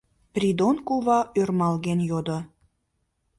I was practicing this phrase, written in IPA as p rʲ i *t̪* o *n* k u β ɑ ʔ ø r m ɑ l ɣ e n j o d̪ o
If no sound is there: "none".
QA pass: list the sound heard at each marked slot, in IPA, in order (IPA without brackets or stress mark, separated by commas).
d̪, n